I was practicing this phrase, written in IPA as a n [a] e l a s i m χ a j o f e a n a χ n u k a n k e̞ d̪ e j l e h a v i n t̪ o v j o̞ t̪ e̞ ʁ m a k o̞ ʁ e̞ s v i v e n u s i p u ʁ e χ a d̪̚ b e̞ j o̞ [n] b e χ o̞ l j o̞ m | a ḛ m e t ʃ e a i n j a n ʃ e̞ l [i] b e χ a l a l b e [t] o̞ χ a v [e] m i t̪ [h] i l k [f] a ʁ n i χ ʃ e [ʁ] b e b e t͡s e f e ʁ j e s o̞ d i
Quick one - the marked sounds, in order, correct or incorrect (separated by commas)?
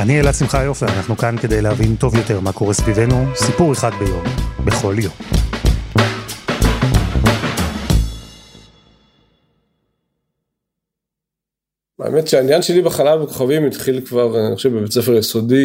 incorrect, incorrect, correct, incorrect, incorrect, incorrect, incorrect, incorrect